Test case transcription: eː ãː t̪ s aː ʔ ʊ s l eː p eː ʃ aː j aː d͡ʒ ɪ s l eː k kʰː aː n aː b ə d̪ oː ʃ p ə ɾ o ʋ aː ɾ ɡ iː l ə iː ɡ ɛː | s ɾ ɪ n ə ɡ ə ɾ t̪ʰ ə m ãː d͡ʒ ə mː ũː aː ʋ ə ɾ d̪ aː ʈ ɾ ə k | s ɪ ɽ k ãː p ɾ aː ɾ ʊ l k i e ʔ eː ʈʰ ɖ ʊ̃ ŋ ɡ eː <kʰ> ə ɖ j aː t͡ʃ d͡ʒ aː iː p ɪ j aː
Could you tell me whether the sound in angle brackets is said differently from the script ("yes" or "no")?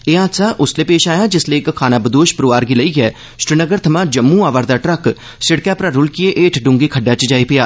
no